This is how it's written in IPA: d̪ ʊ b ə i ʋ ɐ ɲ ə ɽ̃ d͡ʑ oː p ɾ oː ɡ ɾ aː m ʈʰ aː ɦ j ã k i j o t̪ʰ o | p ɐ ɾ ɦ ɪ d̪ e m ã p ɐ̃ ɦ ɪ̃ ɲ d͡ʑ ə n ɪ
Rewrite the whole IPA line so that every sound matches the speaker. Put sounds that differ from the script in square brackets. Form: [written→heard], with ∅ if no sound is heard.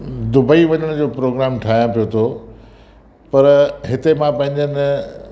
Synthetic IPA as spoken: d̪ ʊ b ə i ʋ ɐ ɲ ə ɽ̃ d͡ʑ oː p ɾ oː ɡ ɾ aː m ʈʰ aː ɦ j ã [k→p] i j o t̪ʰ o | p ɐ ɾ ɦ ɪ [d̪→t̪] e m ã p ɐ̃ ɦ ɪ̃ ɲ d͡ʑ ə n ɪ